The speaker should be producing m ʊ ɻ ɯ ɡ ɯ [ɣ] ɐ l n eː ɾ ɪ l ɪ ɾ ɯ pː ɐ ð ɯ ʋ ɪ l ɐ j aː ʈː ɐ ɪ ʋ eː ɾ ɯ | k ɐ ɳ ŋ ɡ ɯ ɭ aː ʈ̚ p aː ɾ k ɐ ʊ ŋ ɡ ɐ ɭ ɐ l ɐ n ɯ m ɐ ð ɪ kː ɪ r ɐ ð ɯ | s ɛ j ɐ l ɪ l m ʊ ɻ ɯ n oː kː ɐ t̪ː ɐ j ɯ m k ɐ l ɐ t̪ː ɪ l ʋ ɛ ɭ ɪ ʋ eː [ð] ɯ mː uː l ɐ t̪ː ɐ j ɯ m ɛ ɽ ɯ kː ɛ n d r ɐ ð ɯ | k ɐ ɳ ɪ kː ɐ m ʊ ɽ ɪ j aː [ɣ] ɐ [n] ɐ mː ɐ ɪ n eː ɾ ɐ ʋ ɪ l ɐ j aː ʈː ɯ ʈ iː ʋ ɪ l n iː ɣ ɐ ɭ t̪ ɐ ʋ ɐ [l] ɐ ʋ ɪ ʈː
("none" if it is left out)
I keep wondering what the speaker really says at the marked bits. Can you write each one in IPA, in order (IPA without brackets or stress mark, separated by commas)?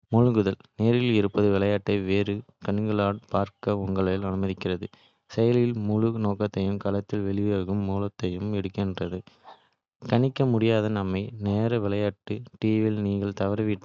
ð, ɣ, ð, n, ɾ